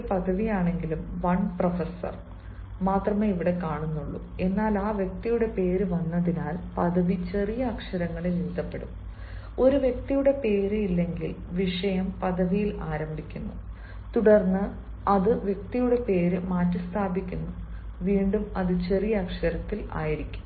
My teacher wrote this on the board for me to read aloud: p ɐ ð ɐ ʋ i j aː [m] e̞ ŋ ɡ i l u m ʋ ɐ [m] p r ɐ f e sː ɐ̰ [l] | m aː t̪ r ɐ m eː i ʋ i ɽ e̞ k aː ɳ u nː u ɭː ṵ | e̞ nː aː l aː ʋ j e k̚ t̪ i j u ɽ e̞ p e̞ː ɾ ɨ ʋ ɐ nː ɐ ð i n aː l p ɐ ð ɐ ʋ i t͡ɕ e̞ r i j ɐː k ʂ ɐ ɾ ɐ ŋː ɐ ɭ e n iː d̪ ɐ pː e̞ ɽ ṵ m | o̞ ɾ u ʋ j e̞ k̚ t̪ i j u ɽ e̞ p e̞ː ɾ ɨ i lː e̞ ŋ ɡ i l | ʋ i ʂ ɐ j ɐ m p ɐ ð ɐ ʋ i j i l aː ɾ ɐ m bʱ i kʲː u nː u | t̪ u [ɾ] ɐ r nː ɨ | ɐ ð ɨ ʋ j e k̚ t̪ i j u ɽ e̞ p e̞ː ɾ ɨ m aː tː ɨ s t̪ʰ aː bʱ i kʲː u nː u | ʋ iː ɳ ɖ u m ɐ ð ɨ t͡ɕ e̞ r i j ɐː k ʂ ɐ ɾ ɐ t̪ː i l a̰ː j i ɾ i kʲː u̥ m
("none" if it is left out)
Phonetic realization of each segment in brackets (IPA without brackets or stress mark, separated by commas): ɳ, ɳ, r, ɽ